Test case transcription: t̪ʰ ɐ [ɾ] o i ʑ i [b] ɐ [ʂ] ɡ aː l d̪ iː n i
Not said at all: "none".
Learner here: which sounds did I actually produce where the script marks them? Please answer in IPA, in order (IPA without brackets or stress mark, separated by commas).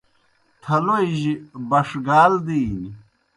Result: l, b, ʂ